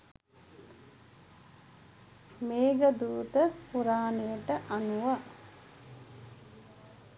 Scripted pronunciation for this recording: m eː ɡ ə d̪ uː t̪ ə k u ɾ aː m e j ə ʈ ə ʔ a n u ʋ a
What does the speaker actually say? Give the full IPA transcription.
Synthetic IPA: m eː ɡ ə d̪ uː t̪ ə p u ɾ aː n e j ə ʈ ə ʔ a n u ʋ a